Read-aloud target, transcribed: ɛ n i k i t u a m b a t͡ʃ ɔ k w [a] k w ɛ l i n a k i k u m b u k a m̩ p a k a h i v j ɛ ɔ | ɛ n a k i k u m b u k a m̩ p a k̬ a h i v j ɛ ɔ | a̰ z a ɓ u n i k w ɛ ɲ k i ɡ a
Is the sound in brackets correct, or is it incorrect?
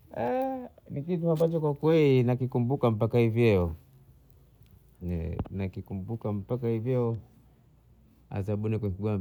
correct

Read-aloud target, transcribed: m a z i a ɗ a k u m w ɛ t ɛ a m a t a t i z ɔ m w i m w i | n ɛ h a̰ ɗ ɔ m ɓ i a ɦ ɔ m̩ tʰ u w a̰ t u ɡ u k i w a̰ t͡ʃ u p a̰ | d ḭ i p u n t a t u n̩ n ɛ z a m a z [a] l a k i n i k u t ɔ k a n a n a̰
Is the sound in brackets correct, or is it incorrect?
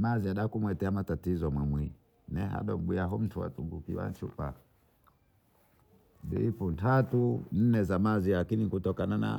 incorrect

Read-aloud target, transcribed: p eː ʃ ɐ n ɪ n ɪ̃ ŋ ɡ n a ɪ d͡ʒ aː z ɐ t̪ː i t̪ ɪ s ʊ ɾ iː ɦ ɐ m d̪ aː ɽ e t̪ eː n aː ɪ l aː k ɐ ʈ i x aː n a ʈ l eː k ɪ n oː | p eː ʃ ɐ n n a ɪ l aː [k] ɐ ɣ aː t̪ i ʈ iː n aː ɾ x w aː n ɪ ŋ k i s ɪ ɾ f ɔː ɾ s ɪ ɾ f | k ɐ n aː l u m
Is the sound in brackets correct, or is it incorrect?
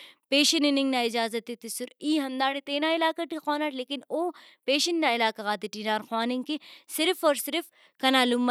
correct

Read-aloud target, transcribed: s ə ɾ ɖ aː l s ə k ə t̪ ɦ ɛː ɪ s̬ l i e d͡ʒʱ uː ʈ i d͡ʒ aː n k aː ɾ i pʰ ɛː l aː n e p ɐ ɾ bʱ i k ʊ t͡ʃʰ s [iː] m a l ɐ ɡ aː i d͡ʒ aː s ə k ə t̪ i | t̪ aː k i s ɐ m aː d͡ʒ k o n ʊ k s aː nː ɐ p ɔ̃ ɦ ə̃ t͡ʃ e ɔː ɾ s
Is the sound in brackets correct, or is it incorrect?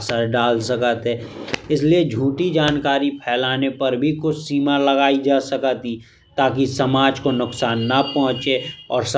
correct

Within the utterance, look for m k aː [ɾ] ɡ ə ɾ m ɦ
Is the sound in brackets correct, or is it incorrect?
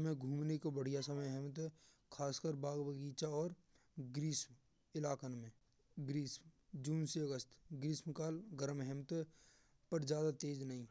incorrect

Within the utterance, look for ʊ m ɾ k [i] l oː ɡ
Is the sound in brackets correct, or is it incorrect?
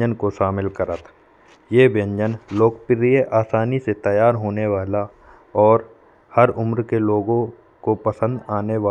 incorrect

